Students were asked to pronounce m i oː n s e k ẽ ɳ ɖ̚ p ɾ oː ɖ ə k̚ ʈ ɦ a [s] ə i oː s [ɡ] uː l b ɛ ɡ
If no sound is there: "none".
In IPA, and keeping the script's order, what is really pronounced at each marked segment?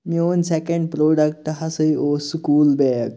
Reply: s, k

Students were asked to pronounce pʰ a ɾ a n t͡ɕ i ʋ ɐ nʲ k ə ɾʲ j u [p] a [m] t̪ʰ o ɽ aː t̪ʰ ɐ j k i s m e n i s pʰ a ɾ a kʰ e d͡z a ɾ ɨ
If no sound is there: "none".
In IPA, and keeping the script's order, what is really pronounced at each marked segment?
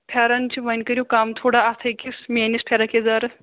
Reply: k, m

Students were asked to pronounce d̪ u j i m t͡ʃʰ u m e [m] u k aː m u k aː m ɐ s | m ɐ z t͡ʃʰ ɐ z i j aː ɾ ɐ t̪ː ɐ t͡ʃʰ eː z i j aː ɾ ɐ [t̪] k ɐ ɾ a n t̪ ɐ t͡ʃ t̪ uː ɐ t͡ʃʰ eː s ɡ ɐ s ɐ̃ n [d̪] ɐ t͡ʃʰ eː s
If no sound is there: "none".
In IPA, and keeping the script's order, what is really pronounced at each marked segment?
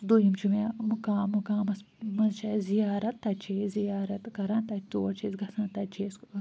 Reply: m, t̪, t̪

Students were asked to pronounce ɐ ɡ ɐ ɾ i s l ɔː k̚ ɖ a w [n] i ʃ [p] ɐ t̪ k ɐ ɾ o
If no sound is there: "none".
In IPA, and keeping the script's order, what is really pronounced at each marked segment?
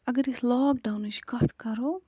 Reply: n, k

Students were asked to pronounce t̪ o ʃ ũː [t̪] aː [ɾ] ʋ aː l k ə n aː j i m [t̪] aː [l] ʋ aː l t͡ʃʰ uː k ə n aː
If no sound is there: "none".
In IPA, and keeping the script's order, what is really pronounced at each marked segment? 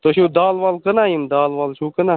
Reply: d̪, l, d̪, l

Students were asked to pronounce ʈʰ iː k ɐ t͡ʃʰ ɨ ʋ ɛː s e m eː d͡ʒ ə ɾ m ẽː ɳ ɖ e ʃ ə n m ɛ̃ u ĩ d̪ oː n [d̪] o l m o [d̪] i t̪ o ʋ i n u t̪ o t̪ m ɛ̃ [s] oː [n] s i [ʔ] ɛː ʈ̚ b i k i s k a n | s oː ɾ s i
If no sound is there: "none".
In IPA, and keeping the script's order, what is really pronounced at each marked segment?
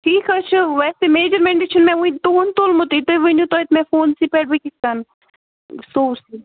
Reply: t̪, t̪, f, n, p

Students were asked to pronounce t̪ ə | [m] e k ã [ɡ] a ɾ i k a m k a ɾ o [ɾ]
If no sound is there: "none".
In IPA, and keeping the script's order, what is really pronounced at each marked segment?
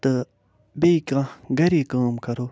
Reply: b, ɡ, none

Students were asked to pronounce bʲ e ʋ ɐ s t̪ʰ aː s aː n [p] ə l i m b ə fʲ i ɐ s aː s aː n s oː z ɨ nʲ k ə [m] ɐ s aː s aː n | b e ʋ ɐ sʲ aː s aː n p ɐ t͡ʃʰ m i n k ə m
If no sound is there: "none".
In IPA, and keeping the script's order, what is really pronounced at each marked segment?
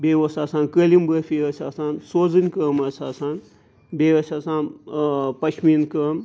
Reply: k, m

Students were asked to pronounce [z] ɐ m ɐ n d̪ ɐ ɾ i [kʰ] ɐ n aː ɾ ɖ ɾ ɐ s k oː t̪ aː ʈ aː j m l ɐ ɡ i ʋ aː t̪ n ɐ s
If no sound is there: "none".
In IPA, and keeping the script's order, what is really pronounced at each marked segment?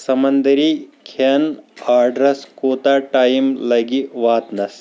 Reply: s, kʰ

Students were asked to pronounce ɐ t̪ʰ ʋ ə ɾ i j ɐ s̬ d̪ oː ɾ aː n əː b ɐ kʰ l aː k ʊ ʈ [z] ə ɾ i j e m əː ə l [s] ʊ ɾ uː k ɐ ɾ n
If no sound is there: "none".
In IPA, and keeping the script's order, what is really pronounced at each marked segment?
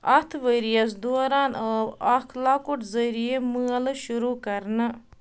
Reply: z, ʃ

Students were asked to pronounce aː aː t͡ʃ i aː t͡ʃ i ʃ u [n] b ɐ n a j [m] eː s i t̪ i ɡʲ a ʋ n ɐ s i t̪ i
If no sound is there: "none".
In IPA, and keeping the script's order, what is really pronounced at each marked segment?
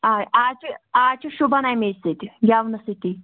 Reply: none, m

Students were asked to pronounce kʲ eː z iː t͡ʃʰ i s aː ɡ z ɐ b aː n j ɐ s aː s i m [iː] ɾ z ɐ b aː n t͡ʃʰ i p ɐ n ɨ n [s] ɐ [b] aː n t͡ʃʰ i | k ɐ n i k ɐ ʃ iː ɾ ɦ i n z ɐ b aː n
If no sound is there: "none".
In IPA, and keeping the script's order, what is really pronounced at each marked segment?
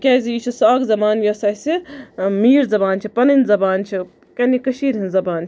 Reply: iː, z, b

